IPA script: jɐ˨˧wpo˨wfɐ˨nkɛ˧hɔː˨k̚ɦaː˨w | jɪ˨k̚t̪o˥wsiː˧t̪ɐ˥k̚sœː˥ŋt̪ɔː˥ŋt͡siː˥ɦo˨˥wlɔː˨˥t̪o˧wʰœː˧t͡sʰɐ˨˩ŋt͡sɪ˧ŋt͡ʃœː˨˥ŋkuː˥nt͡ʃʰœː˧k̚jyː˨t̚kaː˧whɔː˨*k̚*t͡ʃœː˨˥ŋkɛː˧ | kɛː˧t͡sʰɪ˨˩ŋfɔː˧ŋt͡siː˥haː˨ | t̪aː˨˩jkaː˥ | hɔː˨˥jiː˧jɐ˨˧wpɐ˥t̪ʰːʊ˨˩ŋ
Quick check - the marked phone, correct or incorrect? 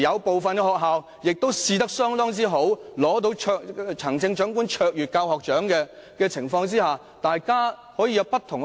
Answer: correct